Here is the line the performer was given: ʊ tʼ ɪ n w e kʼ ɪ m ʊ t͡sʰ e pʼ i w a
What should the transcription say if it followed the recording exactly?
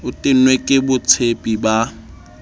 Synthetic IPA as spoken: ʊ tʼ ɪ n w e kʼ ɪ b ʊ t͡sʰ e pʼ i b a